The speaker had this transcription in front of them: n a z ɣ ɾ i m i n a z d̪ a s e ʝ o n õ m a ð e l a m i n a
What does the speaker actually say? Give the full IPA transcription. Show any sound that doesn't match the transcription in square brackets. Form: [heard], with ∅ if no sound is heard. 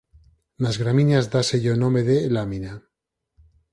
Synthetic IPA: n a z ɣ ɾ [a] m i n a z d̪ a s e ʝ o n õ m [e] ð e l a m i n a

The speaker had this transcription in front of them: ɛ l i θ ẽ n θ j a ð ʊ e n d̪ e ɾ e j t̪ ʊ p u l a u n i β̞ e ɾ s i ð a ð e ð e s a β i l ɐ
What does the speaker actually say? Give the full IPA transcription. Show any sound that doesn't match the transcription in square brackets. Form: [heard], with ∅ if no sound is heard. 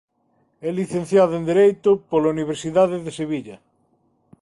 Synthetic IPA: ɛ l i θ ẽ n θ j a ð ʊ e n d̪ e ɾ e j t̪ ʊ p [o] l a u n i β̞ e ɾ s i ð a ð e ð e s [e] β i [ʎ] ɐ

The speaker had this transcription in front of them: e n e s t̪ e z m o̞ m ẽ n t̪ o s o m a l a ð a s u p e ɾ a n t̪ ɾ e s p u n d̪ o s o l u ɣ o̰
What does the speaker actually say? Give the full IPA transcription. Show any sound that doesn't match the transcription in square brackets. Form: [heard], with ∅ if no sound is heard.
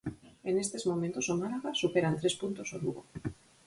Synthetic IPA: e n e s t̪ e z m o̞ m ẽ n t̪ o s o m a l a [ɣ] a s u p e ɾ a n t̪ ɾ e s p u n [t̪] o s o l u ɣ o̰

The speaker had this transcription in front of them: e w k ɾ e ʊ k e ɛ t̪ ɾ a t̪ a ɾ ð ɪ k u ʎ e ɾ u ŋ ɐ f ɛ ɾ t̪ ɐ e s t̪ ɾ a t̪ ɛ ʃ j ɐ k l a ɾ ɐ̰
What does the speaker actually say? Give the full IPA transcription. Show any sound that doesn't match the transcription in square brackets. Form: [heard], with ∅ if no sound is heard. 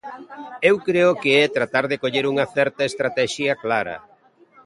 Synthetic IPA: e w k ɾ e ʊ k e ɛ t̪ ɾ a t̪ a ɾ ð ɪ k [o] ʎ e ɾ u ŋ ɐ [θ] ɛ ɾ t̪ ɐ e s t̪ ɾ a t̪ ɛ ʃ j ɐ k l a ɾ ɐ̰

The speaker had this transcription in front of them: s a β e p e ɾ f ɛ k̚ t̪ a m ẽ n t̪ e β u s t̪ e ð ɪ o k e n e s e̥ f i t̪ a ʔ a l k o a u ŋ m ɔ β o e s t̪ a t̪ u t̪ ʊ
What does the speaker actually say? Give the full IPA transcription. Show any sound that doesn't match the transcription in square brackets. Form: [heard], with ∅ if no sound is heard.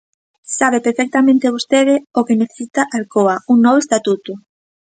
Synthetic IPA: s a β e p e ɾ f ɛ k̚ t̪ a m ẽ n t̪ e β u s t̪ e ð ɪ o k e n e [θ] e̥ [s] i t̪ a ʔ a l k o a u ŋ [n] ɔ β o e s t̪ a t̪ u t̪ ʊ

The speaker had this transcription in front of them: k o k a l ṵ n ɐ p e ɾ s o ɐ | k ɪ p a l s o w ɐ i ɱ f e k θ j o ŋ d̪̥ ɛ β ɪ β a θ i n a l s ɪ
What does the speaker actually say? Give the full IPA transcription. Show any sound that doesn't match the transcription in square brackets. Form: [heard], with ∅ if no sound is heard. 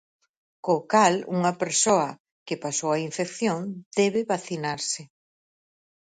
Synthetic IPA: k o k a l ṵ [ŋ] ɐ p e ɾ s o ɐ | k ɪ p a [∅] s o w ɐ i ɱ f e k θ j o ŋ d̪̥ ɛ β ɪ β a θ i n a [ɾ] s ɪ

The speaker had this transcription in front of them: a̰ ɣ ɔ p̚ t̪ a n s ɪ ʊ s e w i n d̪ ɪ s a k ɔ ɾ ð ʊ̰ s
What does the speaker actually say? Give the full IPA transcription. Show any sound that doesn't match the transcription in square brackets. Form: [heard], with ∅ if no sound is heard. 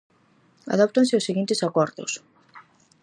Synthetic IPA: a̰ [ð] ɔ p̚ t̪ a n s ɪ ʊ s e [ɣ] i n [t̪] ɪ s a k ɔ ɾ ð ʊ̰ s

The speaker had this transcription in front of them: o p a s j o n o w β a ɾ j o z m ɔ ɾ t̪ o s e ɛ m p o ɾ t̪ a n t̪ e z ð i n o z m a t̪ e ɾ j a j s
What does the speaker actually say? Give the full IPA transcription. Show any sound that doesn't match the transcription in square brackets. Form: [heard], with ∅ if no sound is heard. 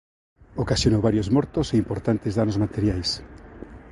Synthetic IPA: o [k] a s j o n o w β a ɾ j o z m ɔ ɾ t̪ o s e [i] m p o ɾ t̪ a n t̪ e z ð [a] n o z m a t̪ e ɾ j a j s

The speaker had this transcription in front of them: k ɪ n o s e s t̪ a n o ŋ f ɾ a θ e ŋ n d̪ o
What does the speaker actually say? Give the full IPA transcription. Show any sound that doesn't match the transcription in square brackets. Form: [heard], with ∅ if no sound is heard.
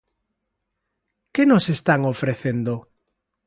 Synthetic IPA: k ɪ n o s e s t̪ a [ŋ] o [∅] f ɾ [e] θ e [∅] n d̪ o

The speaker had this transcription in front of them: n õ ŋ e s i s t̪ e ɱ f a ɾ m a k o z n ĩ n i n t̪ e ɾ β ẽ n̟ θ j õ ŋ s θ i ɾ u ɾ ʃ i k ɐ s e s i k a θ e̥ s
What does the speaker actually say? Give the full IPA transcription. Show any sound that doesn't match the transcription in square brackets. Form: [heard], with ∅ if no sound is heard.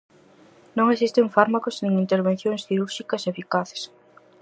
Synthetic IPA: n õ ŋ e s i s t̪ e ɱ f a ɾ m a k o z n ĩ [ŋ] i n t̪ e ɾ β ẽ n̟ θ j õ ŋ s θ i ɾ u ɾ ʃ i k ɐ s e [f] i k a θ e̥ s

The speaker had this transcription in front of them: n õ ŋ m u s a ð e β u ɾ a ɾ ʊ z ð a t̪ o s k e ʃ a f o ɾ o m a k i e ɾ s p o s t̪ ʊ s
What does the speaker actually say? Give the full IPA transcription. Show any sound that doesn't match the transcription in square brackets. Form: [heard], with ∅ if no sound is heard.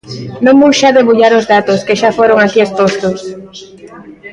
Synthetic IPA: n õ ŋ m u [ʃ] a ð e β u [ʎ] a ɾ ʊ z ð a t̪ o s k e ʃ a f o ɾ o [ŋ] a k i e [∅] s p o s t̪ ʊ s

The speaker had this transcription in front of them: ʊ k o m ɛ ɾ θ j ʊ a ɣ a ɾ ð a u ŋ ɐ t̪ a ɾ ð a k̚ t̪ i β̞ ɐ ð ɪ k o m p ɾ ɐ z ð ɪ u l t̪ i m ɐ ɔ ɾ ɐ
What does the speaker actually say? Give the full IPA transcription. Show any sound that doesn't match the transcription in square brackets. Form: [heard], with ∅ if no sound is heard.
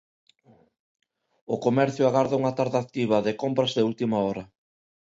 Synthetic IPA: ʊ k o m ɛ ɾ θ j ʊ a ɣ a ɾ ð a u ŋ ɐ t̪ a ɾ ð a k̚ t̪ i β̞ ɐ ð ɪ k o m p ɾ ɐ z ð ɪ u l t̪ i m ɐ ɔ ɾ ɐ

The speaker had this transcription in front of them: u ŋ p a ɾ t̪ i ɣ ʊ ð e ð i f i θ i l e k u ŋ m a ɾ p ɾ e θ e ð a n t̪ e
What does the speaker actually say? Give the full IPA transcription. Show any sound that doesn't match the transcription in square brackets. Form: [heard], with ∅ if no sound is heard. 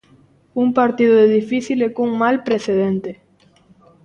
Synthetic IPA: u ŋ p a ɾ t̪ i [ð] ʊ ð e ð i f i θ i l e k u ŋ m a [l] p ɾ e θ e ð [e] n t̪ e

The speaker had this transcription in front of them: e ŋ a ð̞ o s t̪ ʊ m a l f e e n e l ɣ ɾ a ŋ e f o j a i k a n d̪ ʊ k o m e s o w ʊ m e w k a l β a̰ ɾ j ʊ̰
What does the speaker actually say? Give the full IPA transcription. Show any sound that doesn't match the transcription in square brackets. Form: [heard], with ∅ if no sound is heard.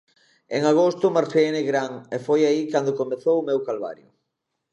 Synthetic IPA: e ŋ a [ɣ̞] o s t̪ ʊ m a [ɾ] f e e n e [∅] ɣ ɾ a ŋ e f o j a i k a n d̪ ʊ k o m e [θ] o w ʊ m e w k a l β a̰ ɾ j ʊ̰

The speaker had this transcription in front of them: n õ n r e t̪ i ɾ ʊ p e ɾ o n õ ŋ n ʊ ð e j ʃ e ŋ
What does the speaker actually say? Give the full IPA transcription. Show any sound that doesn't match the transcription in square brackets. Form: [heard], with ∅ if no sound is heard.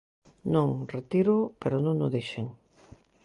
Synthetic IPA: n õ [ŋ] r e t̪ i ɾ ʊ p e ɾ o n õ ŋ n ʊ ð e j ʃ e ŋ

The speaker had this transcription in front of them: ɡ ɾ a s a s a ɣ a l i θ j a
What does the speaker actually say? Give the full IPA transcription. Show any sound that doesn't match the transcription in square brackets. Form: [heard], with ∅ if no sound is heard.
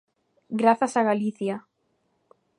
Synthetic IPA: ɡ ɾ a [θ] a s a ɣ a l i θ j a

